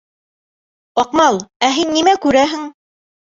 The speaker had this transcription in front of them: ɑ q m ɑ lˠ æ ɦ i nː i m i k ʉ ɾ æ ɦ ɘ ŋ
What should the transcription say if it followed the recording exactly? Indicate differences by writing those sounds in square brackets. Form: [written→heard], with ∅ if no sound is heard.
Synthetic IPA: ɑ q m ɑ lˠ æ ɦ i nː i m [i→æ] k ʉ ɾ æ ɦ ɘ ŋ

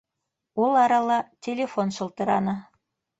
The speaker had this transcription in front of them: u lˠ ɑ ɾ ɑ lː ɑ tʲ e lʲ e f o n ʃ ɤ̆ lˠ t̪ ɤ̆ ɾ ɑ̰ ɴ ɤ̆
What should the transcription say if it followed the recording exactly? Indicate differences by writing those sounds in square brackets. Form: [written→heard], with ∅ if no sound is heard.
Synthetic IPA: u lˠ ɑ ɾ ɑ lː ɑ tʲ e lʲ e f o n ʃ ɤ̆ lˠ t̪ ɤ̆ ɾ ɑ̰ [ɴ→n] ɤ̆

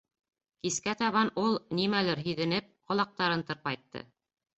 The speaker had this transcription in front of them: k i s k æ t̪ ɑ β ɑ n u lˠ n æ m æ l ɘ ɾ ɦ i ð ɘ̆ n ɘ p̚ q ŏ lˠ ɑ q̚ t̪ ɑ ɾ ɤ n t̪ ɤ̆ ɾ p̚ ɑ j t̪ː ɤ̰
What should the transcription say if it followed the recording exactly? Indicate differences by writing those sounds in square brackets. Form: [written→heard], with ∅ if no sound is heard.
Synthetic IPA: k i s k æ t̪ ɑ β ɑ n u lˠ n [æ→i] m æ l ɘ ɾ ɦ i ð ɘ̆ n ɘ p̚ q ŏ lˠ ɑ q̚ t̪ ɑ ɾ ɤ n t̪ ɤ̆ ɾ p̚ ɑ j t̪ː ɤ̰

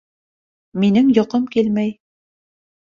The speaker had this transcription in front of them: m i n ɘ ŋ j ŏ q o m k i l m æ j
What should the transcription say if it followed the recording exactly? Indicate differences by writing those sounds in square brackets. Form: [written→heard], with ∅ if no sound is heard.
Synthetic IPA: m i n ɘ ŋ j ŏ q [o→ɤ] m k i l m æ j

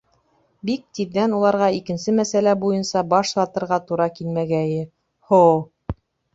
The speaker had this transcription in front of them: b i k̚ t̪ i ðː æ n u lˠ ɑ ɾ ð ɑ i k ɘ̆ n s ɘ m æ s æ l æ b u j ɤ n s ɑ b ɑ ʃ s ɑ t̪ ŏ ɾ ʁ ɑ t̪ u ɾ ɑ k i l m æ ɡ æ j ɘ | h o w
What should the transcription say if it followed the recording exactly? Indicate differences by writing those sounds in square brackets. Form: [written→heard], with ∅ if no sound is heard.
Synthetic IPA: b i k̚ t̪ i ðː æ n u lˠ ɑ ɾ [ð→ʁ] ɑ i k ɘ̆ n s ɘ m æ s æ l æ b u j ɤ n s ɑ b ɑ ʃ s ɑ t̪ [ŏ→ɤ̆] ɾ ʁ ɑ t̪ u ɾ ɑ k i l m æ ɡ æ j ɘ | h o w

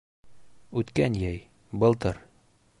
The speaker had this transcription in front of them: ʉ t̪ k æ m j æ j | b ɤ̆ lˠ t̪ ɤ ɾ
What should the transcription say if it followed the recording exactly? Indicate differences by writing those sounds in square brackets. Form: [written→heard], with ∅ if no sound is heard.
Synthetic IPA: ʉ t̪ k æ [m→n] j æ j | b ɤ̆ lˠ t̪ ɤ ɾ

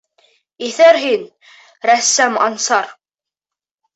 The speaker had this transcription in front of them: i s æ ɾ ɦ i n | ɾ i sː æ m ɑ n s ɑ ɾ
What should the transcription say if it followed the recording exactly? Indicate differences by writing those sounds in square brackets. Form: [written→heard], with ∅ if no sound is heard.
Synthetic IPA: i [s→θ] æ ɾ ɦ i n | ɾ [i→æ] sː æ m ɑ n s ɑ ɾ

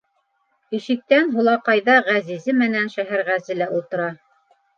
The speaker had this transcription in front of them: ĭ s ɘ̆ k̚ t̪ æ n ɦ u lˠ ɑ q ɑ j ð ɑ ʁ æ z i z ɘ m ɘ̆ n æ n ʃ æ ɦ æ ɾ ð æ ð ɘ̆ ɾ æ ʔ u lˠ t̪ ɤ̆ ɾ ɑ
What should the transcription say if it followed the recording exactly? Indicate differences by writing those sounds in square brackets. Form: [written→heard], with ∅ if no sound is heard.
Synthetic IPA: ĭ [s→ʃ] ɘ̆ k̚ t̪ æ n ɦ u lˠ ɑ q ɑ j ð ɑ ʁ æ z i z ɘ m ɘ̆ n æ n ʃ æ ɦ æ ɾ [ð→ʁ] æ [ð→z] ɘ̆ [ɾ→l] æ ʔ u lˠ t̪ ɤ̆ ɾ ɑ

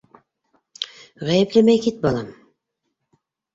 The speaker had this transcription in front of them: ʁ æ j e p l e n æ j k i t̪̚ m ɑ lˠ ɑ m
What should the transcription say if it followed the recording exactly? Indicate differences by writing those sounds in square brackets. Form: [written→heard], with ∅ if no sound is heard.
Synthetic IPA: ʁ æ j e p l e [n→m] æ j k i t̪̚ [m→b] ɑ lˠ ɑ m

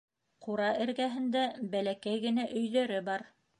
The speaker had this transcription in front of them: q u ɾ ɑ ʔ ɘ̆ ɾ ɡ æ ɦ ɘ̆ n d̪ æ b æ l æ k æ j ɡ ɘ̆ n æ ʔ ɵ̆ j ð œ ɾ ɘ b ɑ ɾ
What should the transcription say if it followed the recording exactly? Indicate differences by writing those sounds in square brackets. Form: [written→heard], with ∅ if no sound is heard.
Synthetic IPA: q u ɾ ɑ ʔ ɘ̆ ɾ ɡ æ ɦ ɘ̆ n d̪ æ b æ l æ k æ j ɡ ɘ̆ n æ ʔ ɵ̆ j ð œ ɾ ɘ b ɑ ɾ

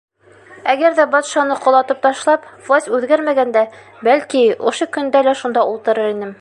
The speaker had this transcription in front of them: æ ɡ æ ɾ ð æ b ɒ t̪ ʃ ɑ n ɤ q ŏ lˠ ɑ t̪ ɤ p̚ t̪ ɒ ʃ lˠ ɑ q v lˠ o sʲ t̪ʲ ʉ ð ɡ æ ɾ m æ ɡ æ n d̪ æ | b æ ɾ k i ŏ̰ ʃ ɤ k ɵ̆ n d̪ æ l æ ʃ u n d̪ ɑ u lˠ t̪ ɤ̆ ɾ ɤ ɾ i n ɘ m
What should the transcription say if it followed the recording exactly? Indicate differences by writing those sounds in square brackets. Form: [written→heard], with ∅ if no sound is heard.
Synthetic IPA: æ ɡ æ ɾ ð æ b ɒ t̪ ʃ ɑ n ɤ q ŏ lˠ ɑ t̪ ɤ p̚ t̪ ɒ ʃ lˠ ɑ [q→p] v lˠ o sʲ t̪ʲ ʉ ð ɡ æ ɾ m æ ɡ æ n d̪ æ | b æ [ɾ→l] k i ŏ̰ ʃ ɤ k ɵ̆ n d̪ æ l æ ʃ u n d̪ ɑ u lˠ t̪ ɤ̆ ɾ ɤ ɾ i n ɘ m

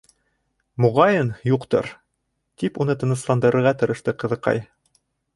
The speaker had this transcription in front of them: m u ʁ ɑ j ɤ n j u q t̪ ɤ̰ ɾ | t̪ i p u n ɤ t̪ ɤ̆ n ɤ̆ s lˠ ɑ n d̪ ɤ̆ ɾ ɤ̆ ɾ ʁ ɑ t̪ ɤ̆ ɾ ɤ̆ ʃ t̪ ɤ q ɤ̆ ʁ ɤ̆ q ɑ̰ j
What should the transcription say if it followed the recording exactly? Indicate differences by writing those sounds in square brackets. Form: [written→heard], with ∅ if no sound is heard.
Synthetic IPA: m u ʁ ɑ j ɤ n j u q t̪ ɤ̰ ɾ | t̪ i p u n ɤ t̪ ɤ̆ n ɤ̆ s lˠ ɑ n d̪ ɤ̆ ɾ ɤ̆ ɾ ʁ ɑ t̪ ɤ̆ ɾ ɤ̆ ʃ t̪ ɤ q ɤ̆ [ʁ→ð] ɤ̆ q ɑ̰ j

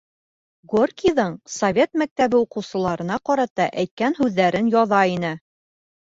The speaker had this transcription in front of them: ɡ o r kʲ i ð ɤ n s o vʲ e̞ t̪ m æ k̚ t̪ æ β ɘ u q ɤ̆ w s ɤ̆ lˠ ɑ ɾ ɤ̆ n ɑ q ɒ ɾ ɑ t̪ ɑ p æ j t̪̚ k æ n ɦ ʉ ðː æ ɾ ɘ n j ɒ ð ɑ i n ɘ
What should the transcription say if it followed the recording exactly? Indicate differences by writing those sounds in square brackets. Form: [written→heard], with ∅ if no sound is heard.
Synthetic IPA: ɡ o r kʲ i ð ɤ [n→ɴ] s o vʲ e̞ t̪ m æ k̚ t̪ æ β ɘ u q ɤ̆ w s ɤ̆ lˠ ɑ ɾ ɤ̆ n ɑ q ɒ ɾ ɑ t̪ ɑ [p→ʔ] æ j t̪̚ k æ n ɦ ʉ ðː æ ɾ ɘ n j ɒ ð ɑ i n ɘ

